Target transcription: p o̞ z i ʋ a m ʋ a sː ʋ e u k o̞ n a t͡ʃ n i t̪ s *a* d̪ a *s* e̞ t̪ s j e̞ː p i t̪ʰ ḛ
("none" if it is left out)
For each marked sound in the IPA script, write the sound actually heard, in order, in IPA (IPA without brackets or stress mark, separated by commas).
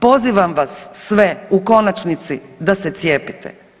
i, s